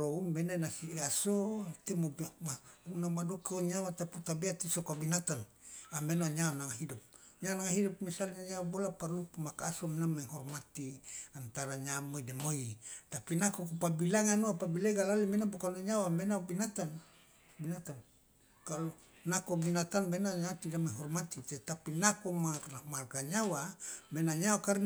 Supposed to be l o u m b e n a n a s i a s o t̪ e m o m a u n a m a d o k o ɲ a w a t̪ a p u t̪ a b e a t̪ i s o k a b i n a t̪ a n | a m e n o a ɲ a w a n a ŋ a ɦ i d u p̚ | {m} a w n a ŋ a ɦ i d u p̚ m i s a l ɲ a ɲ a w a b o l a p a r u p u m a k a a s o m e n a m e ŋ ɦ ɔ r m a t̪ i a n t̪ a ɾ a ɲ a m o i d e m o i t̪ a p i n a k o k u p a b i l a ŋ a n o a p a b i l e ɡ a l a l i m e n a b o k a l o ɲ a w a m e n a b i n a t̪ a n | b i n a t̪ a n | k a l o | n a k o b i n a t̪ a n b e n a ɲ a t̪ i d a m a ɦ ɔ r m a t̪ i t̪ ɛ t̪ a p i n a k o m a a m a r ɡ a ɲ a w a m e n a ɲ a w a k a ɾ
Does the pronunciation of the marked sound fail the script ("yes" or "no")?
yes